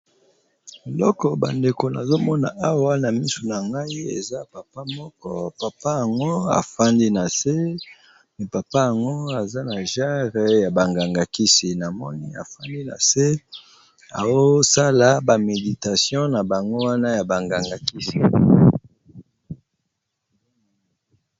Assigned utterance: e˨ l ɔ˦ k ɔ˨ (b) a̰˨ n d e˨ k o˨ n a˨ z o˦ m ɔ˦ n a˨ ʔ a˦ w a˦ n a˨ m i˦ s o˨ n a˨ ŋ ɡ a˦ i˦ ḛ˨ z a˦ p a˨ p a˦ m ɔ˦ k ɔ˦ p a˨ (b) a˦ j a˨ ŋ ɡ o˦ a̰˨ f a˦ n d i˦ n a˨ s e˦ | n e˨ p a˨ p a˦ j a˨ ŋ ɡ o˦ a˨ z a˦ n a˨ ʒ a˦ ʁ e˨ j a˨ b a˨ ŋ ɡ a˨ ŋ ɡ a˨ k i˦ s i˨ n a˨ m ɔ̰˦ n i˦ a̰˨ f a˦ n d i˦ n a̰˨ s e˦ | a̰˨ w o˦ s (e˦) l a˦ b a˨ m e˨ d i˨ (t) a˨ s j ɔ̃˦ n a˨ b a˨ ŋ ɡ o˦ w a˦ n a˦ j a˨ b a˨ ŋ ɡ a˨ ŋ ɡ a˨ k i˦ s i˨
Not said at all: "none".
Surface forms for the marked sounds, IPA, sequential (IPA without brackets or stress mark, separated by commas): b, p, a˦, t